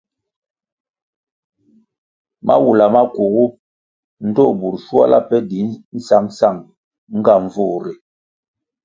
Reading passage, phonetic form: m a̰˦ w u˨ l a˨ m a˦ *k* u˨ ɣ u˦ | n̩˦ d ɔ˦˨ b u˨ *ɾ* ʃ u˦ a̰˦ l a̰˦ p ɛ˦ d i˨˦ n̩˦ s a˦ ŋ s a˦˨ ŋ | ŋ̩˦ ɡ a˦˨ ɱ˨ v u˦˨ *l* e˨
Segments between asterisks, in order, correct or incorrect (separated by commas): correct, correct, incorrect